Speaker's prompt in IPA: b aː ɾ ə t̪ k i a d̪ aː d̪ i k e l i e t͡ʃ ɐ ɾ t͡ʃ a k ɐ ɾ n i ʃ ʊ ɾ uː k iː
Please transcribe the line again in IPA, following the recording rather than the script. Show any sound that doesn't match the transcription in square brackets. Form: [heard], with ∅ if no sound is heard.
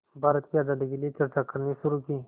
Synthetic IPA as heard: b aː ɾ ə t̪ k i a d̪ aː d̪ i k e l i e t͡ʃ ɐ ɾ t͡ʃ a k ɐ ɾ n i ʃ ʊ ɾ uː k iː